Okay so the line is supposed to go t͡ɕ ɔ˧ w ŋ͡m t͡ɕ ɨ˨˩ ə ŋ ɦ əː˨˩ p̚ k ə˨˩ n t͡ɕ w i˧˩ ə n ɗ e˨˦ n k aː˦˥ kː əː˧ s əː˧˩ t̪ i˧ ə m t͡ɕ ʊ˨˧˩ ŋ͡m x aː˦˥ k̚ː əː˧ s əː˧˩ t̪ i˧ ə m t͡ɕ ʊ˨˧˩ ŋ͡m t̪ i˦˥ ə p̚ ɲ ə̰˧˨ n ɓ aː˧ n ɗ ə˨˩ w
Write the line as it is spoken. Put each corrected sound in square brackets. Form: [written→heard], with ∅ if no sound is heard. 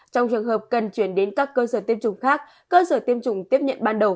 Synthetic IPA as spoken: t͡ɕ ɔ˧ w ŋ͡m t͡ɕ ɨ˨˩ ə ŋ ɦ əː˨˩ p̚ k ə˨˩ n t͡ɕ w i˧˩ ə n ɗ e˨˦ n k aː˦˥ kː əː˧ s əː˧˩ t̪ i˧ ə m t͡ɕ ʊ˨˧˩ ŋ͡m x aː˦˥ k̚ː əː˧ s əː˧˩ t̪ i˧ ə m t͡ɕ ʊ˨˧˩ ŋ͡m t̪ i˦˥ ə p̚ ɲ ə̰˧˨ n ɓ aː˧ n ɗ ə˨˩ w